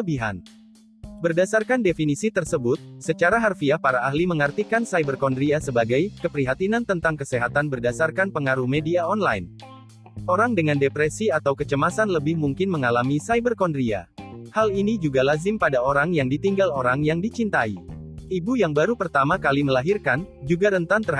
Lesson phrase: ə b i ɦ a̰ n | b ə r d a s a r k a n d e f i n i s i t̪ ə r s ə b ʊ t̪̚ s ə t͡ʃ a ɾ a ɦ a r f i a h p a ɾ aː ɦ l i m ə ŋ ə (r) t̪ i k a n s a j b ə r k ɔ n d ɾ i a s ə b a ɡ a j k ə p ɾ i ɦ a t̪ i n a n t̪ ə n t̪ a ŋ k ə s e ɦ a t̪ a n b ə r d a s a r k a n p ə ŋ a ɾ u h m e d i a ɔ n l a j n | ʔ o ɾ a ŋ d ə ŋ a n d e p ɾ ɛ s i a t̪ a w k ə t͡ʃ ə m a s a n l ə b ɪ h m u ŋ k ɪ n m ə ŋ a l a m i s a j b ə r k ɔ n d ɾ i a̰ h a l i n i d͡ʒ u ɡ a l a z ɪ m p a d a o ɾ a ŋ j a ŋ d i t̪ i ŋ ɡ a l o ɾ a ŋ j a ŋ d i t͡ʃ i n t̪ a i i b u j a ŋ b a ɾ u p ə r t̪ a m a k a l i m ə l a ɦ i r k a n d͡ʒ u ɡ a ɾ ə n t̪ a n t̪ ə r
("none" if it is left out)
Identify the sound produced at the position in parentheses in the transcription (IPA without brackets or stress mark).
r